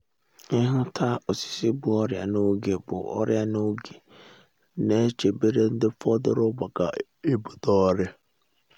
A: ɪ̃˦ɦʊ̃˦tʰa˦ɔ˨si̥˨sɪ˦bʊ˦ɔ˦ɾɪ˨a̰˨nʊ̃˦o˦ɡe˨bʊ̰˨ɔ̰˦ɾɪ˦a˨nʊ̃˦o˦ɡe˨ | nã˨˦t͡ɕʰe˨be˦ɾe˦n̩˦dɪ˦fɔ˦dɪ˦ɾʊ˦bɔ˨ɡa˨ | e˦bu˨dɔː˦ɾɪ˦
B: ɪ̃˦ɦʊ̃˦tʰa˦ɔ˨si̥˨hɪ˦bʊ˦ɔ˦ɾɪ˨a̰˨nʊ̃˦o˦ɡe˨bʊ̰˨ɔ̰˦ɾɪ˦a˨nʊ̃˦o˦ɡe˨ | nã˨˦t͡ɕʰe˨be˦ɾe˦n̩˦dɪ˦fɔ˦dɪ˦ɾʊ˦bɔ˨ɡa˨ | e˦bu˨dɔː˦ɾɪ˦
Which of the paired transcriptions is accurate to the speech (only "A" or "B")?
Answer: A